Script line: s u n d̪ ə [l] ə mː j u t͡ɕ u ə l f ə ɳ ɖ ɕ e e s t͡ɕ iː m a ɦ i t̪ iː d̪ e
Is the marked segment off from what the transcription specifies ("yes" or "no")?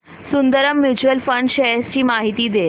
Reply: yes